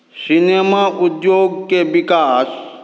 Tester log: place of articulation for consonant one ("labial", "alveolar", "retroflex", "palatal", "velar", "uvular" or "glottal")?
alveolar